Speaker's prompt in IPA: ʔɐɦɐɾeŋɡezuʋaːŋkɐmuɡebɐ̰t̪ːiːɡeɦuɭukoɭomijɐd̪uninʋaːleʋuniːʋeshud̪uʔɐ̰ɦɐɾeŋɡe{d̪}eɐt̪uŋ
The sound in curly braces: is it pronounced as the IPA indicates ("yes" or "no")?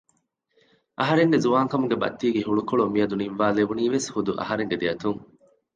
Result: yes